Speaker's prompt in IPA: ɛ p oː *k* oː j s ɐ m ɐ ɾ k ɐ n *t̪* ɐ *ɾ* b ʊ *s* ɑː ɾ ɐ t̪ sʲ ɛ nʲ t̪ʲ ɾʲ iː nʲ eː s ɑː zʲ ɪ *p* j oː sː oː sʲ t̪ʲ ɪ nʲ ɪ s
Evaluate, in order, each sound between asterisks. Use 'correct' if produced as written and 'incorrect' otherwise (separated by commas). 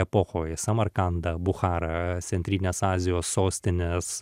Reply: incorrect, incorrect, incorrect, incorrect, incorrect